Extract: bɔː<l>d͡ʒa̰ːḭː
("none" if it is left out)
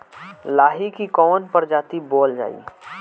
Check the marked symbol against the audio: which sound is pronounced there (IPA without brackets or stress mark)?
l